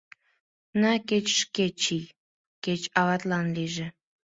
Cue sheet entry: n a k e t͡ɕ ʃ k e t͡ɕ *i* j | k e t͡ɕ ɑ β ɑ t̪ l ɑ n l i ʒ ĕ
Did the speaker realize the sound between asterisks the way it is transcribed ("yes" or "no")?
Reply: yes